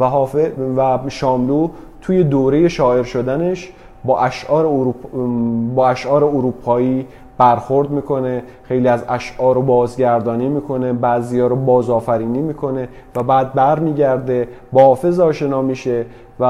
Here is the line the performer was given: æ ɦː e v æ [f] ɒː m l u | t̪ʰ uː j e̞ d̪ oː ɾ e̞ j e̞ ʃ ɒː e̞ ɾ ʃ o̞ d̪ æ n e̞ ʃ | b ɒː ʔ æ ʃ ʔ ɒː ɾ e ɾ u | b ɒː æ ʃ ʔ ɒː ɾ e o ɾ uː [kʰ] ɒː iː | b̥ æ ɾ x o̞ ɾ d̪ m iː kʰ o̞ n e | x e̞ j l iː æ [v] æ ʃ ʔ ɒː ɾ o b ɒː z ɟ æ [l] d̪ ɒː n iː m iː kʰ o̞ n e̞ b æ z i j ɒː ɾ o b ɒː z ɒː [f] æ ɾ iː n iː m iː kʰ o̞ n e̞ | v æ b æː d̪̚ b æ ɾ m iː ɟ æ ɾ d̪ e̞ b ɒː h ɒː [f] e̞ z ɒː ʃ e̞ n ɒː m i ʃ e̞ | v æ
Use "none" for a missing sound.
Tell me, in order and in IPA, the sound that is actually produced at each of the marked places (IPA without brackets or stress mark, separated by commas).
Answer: ʃ, pʰ, z, ɾ, f, f